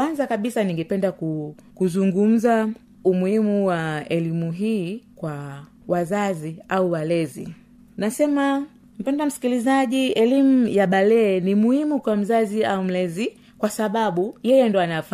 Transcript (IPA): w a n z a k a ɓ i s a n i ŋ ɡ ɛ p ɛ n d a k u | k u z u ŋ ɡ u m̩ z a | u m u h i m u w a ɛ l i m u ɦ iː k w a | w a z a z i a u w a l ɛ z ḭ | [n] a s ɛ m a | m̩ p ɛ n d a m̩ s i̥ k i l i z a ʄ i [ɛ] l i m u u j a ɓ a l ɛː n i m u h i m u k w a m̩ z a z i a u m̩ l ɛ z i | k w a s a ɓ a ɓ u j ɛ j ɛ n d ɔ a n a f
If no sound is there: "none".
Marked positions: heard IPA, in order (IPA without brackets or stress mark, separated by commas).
n, ɛ